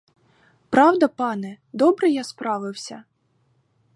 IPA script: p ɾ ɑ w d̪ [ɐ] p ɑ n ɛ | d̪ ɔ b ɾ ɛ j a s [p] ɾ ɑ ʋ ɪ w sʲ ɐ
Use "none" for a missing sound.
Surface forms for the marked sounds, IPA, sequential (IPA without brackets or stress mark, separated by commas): ɐ, p